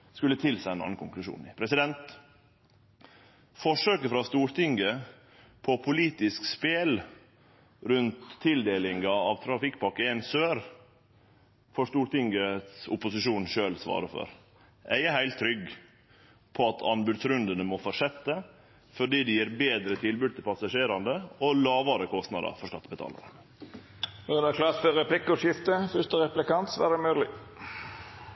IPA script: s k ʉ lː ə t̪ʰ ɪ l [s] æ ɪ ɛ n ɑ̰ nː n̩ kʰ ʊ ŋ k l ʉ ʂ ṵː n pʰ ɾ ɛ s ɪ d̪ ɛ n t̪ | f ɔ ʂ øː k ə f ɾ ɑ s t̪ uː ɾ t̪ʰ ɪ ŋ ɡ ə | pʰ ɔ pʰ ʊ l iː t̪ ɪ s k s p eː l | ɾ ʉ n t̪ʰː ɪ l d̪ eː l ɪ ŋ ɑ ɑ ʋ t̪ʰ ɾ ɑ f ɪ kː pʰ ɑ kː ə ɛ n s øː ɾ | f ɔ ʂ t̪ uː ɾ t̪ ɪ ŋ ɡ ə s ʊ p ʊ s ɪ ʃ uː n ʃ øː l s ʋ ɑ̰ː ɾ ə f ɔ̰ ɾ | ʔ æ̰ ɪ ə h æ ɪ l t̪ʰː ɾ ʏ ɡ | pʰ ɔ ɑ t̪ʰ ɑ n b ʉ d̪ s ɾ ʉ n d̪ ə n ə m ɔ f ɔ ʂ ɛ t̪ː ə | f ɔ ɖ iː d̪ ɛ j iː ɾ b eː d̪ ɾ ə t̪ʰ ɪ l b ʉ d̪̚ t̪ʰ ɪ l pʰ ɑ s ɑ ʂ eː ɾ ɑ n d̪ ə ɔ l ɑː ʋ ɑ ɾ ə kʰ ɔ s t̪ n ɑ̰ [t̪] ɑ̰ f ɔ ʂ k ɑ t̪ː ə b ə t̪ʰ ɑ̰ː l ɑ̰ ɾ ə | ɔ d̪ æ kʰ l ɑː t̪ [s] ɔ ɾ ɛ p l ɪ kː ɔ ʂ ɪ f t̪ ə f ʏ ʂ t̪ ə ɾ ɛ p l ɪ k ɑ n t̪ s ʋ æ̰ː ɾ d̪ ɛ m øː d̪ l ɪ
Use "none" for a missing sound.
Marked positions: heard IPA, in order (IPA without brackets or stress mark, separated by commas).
s, d̪, f